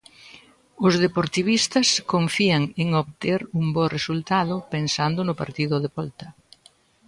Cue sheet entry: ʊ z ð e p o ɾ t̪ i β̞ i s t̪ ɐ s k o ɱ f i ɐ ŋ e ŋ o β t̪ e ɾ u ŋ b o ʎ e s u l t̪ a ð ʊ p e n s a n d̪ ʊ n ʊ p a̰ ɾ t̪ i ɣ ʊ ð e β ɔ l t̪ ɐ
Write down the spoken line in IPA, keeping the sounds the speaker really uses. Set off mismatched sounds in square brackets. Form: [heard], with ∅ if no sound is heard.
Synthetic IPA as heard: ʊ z ð e p o ɾ t̪ i β̞ i s t̪ ɐ s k o ɱ f i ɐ ŋ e ŋ o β t̪ e ɾ u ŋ b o [r] e s u l t̪ a ð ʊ p e n s a n d̪ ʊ n ʊ p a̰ ɾ t̪ i [ð] ʊ ð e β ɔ l t̪ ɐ